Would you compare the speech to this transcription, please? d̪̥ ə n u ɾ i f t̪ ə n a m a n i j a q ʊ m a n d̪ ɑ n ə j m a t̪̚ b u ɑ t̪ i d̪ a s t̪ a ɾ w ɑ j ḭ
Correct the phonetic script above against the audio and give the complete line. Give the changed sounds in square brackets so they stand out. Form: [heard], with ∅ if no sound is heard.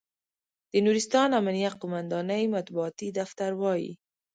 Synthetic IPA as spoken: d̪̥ ə n u ɾ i [s] t̪ [ɑ] n a m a n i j a q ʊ m a n d̪ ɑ n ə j m a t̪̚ b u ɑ t̪ i d̪ a [f] t̪ a ɾ w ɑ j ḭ